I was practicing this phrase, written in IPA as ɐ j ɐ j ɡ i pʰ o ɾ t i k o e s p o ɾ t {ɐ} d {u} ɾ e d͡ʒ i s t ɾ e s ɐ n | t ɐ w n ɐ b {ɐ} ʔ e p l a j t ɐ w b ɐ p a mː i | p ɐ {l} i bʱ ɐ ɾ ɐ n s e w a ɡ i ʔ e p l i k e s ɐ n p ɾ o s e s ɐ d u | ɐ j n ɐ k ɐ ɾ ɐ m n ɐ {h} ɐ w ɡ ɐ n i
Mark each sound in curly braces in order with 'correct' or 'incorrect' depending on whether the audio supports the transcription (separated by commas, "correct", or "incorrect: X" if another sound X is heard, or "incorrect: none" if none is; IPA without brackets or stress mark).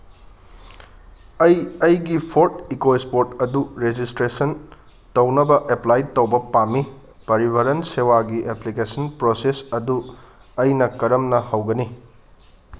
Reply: correct, correct, correct, incorrect: ɾ, correct